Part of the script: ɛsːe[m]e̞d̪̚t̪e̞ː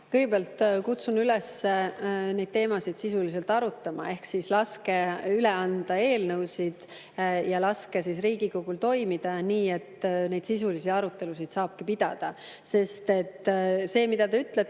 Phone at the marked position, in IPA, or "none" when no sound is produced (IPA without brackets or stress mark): n